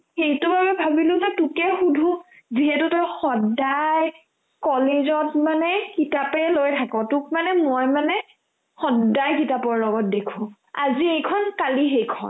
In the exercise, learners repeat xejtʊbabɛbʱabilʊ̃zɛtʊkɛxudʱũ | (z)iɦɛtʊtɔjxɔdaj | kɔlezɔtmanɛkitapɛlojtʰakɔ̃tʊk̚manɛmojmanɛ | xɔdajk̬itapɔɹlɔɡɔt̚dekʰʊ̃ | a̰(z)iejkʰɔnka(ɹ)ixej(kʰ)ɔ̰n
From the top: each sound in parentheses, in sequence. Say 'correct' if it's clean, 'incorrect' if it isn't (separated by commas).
correct, correct, incorrect, correct